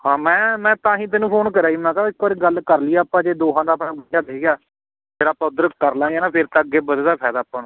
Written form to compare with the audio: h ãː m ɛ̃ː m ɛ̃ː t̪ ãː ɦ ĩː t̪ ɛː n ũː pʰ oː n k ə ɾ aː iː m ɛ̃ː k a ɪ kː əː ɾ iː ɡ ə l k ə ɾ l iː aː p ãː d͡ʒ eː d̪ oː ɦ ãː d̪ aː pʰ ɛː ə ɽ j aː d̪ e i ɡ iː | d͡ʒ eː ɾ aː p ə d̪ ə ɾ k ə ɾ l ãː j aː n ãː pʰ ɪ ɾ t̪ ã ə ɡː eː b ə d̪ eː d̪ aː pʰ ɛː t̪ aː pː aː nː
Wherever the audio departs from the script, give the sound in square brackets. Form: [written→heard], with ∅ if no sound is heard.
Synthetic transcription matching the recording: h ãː m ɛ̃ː m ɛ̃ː t̪ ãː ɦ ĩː t̪ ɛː n ũː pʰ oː n k ə ɾ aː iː m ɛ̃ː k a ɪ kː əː ɾ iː ɡ ə l k ə ɾ l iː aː p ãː d͡ʒ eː d̪ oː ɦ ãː d̪ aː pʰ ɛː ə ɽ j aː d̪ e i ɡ [iː→aː] | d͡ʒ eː ɾ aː p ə d̪ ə ɾ k ə ɾ l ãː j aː n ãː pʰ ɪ ɾ t̪ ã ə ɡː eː b ə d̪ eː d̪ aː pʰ ɛː [t̪→d̪] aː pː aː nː